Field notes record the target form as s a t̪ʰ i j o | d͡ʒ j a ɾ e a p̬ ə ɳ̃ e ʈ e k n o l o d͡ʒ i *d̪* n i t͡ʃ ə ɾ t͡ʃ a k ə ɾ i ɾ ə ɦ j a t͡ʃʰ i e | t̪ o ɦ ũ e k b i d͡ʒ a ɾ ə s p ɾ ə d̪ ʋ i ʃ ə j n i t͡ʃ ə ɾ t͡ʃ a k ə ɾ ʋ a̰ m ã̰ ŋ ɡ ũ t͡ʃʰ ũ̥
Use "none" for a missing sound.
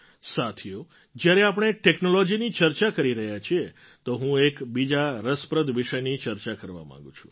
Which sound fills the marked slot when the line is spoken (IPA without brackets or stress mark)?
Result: none